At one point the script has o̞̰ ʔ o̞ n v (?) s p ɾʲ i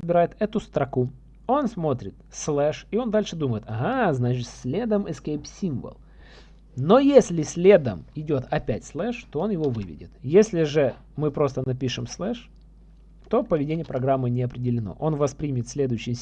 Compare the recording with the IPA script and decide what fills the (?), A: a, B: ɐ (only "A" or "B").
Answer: B